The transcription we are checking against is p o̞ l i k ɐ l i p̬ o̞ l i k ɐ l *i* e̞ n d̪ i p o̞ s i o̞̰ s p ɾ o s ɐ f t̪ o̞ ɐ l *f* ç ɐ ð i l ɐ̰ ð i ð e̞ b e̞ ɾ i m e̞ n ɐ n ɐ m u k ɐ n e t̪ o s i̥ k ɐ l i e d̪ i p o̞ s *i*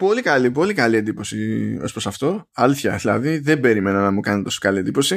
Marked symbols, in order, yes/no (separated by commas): yes, no, yes